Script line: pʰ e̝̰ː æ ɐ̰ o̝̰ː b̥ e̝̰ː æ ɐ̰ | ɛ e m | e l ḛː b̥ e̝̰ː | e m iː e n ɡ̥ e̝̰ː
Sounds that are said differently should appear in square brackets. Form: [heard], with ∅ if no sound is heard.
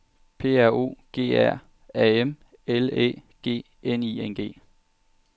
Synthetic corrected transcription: pʰ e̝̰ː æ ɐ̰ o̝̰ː [ɡ̥] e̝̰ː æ ɐ̰ | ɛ e m | e l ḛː [ɡ̥] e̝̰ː | e [n] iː e n ɡ̥ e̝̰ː